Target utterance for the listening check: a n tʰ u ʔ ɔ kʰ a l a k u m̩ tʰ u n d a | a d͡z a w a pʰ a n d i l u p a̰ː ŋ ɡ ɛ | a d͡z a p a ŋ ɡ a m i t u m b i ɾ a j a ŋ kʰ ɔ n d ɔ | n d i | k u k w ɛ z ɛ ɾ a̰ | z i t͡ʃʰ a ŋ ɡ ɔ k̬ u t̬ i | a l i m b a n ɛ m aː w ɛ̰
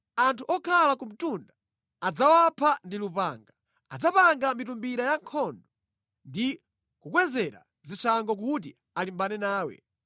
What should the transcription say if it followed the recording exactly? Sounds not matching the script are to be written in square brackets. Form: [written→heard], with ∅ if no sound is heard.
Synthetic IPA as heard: a n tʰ u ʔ ɔ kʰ a l a k u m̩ [tʰ→t] u n d a | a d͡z a w a pʰ a n d i l u p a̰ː ŋ ɡ [ɛ→a] | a d͡z a p a ŋ ɡ a m i t u m b i ɾ a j a ŋ kʰ ɔ n d ɔ | n d i | k u k w ɛ z ɛ ɾ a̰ | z i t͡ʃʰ a ŋ ɡ ɔ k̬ u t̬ i | a l i m b a n ɛ [m→n] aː w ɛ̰